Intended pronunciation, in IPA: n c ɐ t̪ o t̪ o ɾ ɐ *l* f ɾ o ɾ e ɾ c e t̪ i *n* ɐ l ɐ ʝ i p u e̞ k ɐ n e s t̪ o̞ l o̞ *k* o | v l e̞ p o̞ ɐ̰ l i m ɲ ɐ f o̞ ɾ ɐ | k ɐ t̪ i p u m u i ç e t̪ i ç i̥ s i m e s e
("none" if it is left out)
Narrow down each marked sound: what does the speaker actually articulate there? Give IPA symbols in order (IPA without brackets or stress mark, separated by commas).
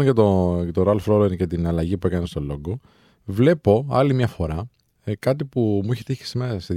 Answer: l, n, ɡ